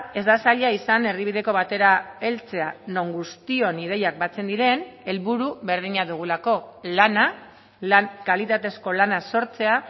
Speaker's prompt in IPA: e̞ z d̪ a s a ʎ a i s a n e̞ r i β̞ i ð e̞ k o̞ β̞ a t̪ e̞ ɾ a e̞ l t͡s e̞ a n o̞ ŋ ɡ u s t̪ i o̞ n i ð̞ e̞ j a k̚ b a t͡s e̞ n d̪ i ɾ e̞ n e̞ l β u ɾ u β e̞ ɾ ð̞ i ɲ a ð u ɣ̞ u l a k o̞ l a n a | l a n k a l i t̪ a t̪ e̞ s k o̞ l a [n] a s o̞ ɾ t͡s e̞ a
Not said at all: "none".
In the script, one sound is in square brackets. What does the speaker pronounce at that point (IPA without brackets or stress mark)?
n